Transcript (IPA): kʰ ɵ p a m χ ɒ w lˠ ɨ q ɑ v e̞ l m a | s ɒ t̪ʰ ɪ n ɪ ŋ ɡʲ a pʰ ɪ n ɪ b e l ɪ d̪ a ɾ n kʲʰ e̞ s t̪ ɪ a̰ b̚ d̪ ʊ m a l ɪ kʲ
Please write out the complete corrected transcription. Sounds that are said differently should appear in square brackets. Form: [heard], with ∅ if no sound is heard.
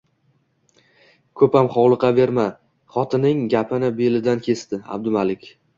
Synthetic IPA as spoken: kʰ ɵ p a m χ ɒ w lˠ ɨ q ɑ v e̞ [ɾ] m a | [χ] ɒ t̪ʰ ɪ n ɪ ŋ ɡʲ a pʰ ɪ n ɪ b e l ɪ d̪ a [∅] n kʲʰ e̞ s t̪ ɪ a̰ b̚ d̪ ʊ m a l ɪ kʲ